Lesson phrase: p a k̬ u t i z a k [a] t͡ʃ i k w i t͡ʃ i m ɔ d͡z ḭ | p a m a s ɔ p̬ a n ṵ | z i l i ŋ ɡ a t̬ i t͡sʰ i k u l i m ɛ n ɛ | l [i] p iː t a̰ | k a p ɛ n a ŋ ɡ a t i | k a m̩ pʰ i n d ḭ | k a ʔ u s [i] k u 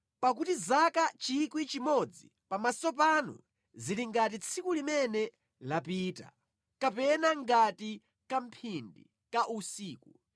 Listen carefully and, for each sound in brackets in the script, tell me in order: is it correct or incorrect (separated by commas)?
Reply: correct, incorrect, incorrect